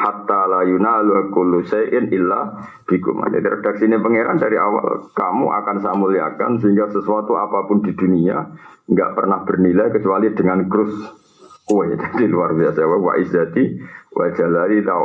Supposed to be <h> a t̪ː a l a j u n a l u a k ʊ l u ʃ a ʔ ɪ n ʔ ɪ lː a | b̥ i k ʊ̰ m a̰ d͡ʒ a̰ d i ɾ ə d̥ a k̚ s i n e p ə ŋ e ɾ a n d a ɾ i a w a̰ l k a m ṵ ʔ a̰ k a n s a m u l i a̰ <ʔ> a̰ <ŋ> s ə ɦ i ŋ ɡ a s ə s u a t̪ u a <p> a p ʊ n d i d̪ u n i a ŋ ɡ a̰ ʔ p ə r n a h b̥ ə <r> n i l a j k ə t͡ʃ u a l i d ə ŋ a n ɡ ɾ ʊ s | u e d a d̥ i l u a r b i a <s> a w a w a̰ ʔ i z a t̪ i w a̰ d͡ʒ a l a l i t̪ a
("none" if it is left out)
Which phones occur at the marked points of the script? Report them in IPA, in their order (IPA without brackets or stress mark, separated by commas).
h, k, n, p, r, s